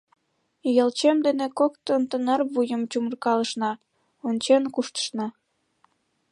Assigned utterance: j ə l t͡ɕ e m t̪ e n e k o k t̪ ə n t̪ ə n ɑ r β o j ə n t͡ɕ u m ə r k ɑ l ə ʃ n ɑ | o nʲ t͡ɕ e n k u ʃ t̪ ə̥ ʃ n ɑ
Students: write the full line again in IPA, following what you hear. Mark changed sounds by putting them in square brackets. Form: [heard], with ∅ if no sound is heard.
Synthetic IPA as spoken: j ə l t͡ɕ e m [d̪] e n e k o k t̪ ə n t̪ ə n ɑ r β [u] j ə [m] t͡ɕ u m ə r k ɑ l ə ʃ n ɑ | o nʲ t͡ɕ e n k u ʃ t̪ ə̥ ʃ n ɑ